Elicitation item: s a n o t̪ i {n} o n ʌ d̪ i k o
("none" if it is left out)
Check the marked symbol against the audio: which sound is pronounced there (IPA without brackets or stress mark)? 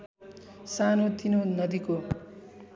n